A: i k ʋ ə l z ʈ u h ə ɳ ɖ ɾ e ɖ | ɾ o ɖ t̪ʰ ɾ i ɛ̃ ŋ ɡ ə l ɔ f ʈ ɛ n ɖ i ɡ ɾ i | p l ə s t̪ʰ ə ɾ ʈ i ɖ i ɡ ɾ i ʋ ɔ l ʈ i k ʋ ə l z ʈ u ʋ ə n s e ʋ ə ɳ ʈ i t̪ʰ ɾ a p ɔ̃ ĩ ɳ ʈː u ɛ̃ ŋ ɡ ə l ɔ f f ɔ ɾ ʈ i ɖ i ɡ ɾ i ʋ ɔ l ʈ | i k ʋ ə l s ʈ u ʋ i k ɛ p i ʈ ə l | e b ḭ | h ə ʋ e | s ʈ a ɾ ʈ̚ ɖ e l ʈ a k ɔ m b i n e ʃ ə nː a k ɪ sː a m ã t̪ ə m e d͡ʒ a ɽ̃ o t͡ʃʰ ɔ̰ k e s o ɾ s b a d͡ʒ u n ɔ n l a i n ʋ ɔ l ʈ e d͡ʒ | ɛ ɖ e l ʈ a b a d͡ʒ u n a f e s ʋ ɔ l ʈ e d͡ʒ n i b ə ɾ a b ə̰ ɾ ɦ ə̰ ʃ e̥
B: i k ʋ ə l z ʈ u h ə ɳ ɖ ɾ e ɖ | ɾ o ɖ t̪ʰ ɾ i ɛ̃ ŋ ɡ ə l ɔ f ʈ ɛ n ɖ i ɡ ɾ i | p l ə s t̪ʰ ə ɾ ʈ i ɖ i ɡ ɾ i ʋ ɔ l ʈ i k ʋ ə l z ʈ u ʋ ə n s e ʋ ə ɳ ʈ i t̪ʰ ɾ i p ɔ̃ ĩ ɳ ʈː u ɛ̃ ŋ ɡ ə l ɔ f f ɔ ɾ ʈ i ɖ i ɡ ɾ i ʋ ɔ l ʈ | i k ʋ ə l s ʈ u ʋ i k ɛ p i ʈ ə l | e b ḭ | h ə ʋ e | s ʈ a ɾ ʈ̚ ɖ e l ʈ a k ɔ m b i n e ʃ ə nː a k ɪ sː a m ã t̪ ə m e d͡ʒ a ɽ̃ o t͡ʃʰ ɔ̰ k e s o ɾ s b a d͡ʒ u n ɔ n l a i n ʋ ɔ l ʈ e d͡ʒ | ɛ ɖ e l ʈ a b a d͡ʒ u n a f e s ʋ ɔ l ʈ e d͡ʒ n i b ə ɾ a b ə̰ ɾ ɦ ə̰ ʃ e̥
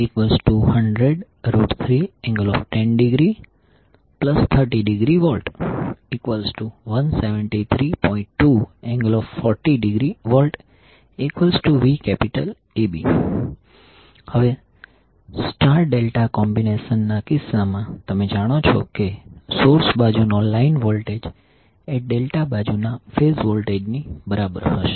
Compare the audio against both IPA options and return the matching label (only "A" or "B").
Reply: B